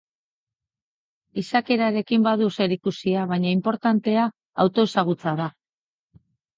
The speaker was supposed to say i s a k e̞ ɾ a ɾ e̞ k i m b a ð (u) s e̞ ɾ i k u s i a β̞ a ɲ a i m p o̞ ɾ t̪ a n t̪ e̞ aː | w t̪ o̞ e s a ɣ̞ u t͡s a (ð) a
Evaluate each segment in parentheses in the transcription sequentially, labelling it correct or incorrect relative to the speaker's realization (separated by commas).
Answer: correct, correct